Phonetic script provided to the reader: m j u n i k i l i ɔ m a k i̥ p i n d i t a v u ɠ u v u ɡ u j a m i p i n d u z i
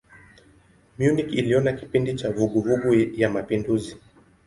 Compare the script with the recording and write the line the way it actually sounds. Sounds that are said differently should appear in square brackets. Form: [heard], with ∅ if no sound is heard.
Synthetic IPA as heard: m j u n i k i l i ɔ [n] a k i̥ p i n d i [t͡ʃ] a v u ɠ u v u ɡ u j a m [a] p i n d u z i